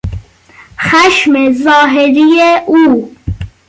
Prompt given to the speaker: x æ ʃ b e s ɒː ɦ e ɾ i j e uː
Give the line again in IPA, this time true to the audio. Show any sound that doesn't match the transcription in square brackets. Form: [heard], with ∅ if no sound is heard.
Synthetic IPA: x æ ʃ [m] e [z] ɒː ɦ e ɾ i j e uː